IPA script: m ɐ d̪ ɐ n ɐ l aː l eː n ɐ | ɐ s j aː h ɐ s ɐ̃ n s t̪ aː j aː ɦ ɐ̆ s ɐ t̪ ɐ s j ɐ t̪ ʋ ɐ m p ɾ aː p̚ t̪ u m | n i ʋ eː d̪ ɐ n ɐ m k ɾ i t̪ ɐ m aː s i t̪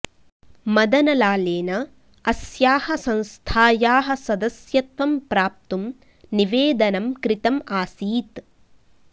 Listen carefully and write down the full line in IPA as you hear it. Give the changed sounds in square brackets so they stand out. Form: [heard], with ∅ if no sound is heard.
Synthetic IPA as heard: m ɐ d̪ ɐ n ɐ l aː l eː n ɐ | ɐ s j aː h ɐ s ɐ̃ n s [t̪ʰ] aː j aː ɦ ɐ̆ s ɐ [d̪] ɐ s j ɐ t̪ ʋ ɐ m p ɾ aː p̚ t̪ u m | n i ʋ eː d̪ ɐ n ɐ m k ɾ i t̪ ɐ m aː s [iː] t̪